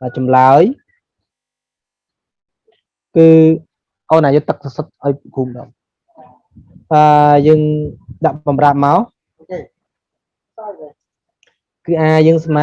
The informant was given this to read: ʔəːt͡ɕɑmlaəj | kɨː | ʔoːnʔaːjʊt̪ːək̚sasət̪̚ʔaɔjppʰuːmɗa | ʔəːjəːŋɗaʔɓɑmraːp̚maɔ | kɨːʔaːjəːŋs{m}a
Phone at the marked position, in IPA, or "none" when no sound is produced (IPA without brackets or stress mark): m